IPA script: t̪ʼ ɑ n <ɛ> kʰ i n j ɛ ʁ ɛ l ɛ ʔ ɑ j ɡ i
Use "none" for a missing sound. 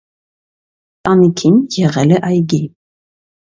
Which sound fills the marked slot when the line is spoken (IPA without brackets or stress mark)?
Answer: i